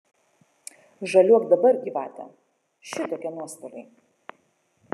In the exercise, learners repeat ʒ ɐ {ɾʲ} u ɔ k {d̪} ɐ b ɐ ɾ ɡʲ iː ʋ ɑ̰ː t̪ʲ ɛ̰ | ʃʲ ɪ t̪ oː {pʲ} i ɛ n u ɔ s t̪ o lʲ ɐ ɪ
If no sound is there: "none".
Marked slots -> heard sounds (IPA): lʲ, d̪, kʲ

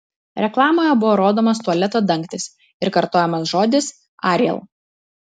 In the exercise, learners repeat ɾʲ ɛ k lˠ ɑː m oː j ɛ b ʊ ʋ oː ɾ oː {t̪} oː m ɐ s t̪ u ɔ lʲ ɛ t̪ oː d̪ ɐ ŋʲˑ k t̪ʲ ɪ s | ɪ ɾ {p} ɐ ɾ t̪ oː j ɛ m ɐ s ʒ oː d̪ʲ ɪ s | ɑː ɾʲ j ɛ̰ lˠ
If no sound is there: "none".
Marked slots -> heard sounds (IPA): d̪, k

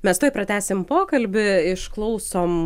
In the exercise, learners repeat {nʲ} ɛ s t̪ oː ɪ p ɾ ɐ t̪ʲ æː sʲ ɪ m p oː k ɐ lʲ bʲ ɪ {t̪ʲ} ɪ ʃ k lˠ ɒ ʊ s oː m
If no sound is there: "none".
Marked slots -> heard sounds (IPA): mʲ, none

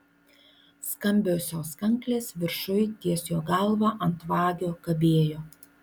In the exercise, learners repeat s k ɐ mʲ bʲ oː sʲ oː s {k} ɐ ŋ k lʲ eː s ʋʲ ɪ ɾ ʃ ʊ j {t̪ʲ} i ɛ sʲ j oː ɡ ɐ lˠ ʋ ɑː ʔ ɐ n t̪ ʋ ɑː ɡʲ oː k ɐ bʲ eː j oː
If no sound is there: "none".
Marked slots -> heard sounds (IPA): k, t̪ʲ

